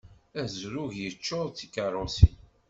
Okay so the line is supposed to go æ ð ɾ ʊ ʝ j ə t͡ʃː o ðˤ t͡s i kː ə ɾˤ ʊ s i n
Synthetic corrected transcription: æ z ɾ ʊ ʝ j ə t͡ʃː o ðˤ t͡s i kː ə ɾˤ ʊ s i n